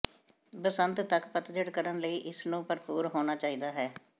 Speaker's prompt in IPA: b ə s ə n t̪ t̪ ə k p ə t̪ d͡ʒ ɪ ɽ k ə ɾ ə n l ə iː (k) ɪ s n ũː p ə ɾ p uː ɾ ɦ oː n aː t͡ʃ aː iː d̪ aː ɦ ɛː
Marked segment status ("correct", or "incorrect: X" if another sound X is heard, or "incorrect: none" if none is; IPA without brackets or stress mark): incorrect: ʔ